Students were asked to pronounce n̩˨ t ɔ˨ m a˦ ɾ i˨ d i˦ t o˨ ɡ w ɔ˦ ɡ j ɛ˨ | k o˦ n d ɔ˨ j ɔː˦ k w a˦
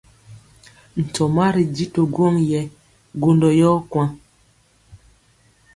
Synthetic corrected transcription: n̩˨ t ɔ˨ m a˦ ɾ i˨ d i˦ t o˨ ɡ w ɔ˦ ŋ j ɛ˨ | ɡ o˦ n d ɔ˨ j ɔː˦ k w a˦